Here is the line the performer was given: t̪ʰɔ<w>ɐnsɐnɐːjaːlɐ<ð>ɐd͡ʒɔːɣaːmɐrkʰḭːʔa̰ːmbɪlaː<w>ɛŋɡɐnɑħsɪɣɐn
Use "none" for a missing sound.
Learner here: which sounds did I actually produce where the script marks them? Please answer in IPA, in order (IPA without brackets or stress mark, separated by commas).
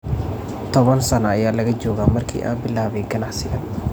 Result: β, ɣ, β